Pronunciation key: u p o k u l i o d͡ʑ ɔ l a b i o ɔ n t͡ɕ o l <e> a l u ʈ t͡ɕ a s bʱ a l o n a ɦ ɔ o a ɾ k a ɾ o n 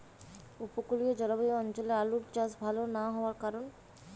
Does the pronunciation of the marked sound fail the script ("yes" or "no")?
no